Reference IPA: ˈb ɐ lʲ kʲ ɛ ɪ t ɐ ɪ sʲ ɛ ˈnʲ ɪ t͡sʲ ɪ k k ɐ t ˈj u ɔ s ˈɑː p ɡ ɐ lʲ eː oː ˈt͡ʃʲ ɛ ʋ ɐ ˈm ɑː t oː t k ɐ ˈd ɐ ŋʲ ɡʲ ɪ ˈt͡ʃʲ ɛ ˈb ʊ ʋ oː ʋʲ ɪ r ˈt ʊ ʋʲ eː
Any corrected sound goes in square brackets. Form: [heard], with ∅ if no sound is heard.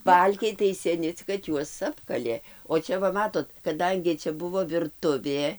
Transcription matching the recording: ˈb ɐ lʲ kʲ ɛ ɪ t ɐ ɪ sʲ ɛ ˈnʲ ɪ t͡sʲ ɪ k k ɐ t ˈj u ɔ s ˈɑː p [k] ɐ lʲ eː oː ˈt͡ʃʲ ɛ ʋ ɐ ˈm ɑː t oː t k ɐ ˈd ɐ ŋʲ ɡʲ ɪ ˈt͡ʃʲ ɛ ˈb ʊ ʋ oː ʋʲ ɪ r ˈt ʊ ʋʲ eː